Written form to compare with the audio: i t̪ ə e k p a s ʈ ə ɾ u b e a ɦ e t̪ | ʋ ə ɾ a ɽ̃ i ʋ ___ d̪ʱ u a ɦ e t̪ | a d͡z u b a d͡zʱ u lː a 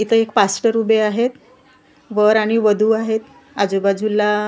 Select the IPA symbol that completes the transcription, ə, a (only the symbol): ə